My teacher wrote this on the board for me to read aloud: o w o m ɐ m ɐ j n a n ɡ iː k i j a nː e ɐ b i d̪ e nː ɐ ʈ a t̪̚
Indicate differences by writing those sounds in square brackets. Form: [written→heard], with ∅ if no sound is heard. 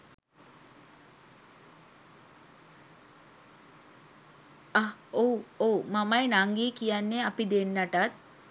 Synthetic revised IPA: o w o m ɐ m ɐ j n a [n→ŋ] ɡ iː k i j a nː e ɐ [b→p] i d̪ e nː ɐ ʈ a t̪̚

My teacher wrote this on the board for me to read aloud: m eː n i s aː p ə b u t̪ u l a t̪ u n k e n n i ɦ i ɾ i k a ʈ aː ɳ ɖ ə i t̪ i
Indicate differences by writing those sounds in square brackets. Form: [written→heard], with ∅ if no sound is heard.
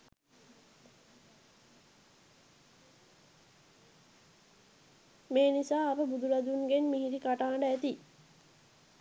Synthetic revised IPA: m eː n i s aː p ə b u [t̪→d̪] u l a [t̪→d̪] u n [k→ɡ] e n [n→m] i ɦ i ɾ i k a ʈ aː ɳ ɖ ə [i→æ] t̪ i

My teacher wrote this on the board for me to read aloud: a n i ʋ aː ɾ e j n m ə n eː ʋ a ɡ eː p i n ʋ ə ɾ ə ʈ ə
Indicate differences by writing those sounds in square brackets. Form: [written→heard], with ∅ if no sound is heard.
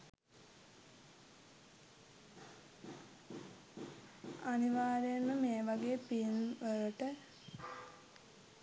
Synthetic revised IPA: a n i ʋ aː ɾ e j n m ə [n→m] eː ʋ a ɡ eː p i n ʋ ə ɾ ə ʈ ə

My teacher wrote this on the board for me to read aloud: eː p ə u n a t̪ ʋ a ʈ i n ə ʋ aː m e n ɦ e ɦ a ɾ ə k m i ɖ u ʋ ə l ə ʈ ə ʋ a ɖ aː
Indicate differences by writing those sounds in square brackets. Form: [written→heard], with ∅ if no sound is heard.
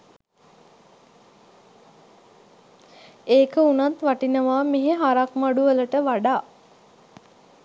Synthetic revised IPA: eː [p→k] ə u n a t̪ ʋ a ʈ i n ə ʋ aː m e [n→∅] ɦ e ɦ a ɾ [ə→a] k m [i→a] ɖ u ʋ ə l ə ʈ ə ʋ a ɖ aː

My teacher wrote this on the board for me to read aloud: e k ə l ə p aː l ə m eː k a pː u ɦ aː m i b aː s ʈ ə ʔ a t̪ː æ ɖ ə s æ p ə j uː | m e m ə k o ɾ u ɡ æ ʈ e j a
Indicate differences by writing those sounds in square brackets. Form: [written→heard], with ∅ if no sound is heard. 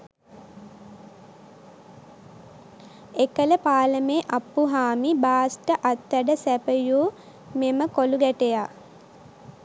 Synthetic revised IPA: e k ə l ə p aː l ə m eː [k→ʔ] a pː u ɦ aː m i b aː s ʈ ə ʔ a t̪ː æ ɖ ə s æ p ə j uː | m e m ə k o [ɾ→l] u ɡ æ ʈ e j a

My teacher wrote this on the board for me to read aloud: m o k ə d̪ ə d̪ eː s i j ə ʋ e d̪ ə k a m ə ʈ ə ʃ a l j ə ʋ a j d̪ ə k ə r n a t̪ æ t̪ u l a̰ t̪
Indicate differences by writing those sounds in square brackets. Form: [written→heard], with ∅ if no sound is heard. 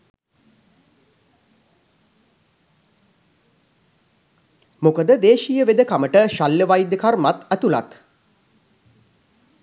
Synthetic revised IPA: m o k ə d̪ ə d̪ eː [s→ʃ] i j ə ʋ e d̪ ə k a m ə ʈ ə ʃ a l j ə ʋ a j d̪ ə k [ə→a] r [n→m] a t̪ æ t̪ u l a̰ t̪

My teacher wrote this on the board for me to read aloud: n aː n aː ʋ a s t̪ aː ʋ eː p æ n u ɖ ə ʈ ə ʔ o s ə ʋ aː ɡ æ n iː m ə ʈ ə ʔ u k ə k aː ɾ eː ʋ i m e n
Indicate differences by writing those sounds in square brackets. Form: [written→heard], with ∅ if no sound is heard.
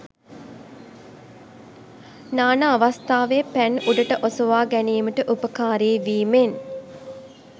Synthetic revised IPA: n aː n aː ʋ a s t̪ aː ʋ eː p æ n u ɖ ə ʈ ə ʔ o s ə ʋ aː ɡ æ n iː m ə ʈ ə ʔ u [k→p] ə k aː ɾ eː ʋ [i→iː] m e n

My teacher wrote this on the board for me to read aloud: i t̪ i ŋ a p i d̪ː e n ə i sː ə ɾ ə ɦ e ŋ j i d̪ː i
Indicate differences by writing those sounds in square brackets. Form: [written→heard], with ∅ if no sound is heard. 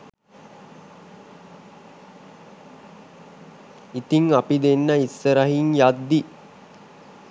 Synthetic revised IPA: i t̪ i ŋ a p i [d̪ː→d̪] e [n→nː] ə i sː ə ɾ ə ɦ [e→i] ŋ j [i→a] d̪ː i

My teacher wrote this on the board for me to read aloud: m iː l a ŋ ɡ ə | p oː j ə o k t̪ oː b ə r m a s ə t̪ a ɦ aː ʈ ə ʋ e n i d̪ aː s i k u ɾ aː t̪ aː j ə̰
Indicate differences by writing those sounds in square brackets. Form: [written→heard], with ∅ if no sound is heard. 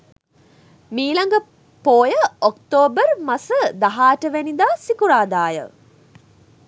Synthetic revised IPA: m iː l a ŋ ɡ ə | p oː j ə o k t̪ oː b ə r m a s ə [t̪→d̪] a ɦ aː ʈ ə ʋ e n i d̪ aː s i k u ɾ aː [t̪→d̪] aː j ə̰

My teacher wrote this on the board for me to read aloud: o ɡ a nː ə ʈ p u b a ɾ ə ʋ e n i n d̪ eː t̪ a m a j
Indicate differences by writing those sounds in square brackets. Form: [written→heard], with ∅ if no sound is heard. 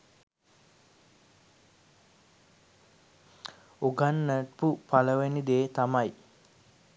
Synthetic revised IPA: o ɡ a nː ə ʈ p u [b→p] a [ɾ→l] ə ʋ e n i [n→∅] d̪ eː t̪ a m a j

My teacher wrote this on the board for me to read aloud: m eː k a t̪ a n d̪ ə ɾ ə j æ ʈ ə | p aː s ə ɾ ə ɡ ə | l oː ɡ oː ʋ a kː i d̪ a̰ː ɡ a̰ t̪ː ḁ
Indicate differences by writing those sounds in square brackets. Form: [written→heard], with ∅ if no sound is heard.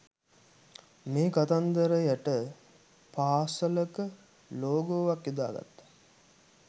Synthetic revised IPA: m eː k a t̪ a n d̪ ə ɾ ə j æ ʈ ə | p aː s ə [ɾ→l] ə [ɡ→k] ə | l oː ɡ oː ʋ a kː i d̪ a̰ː ɡ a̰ t̪ː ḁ

